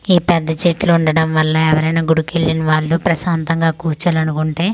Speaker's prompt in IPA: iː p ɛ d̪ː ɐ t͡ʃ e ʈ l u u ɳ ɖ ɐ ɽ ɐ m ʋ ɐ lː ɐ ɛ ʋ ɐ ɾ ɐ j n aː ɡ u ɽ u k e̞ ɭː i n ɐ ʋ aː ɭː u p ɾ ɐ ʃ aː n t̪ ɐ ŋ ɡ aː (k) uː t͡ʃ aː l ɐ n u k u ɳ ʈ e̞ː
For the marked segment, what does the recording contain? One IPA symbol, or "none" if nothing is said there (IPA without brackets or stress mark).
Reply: k